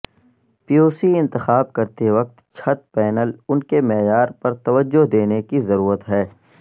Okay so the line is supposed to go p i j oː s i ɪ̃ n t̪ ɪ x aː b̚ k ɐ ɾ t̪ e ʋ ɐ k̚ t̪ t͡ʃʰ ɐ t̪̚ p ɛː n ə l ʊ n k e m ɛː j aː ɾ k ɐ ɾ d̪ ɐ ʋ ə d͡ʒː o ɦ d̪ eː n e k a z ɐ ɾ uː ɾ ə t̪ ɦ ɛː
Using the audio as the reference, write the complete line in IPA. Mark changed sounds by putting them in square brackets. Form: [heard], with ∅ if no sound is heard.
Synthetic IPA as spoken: p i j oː s i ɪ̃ n t̪ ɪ x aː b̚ k ɐ ɾ t̪ e ʋ ɐ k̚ t̪ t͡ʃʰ ɐ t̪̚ p ɛː n ə l ʊ n k e m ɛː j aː ɾ [p] ɐ ɾ [t̪] ɐ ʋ ə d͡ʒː o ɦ d̪ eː n e k [i] z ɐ ɾ uː ɾ ə t̪ ɦ ɛː